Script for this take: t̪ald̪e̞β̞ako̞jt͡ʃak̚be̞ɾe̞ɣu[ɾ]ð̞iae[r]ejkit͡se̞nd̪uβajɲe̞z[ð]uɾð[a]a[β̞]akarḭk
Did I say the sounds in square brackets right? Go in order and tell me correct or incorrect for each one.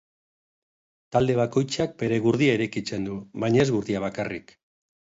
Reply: correct, incorrect: ɾ, incorrect: ɣ, incorrect: i, correct

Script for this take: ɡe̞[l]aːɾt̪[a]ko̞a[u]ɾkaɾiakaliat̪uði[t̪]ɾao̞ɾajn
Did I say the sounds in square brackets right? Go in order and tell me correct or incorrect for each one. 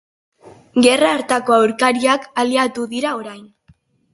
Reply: incorrect: r, correct, incorrect: w, incorrect: none

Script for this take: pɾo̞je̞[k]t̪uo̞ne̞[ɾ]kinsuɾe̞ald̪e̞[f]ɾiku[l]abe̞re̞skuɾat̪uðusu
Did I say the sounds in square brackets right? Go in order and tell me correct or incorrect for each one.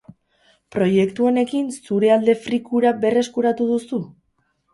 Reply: correct, incorrect: none, correct, incorrect: ɾ

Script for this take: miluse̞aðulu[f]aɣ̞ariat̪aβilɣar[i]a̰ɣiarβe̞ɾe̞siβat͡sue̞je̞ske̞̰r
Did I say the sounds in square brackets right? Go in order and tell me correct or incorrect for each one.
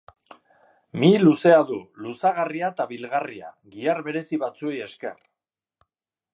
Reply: incorrect: s, correct

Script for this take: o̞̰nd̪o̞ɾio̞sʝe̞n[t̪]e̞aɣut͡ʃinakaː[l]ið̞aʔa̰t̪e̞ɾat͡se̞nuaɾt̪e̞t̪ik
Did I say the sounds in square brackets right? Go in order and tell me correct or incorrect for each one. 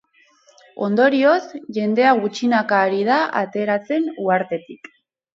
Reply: incorrect: d̪, incorrect: ɾ

